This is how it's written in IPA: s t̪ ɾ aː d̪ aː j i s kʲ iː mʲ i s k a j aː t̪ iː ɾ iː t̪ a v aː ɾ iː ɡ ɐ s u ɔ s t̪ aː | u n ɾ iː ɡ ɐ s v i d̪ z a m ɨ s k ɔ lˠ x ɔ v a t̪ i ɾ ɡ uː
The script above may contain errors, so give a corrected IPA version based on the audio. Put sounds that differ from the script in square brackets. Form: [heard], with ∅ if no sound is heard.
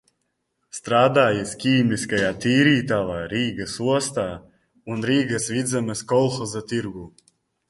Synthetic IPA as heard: s t̪ ɾ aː d̪ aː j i s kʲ iː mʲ i s k a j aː t̪ iː ɾ iː t̪ a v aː ɾ iː ɡ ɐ s u ɔ s t̪ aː | u n ɾ iː ɡ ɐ s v i d̪ z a m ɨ s k ɔ lˠ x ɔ [z] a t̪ i ɾ ɡ uː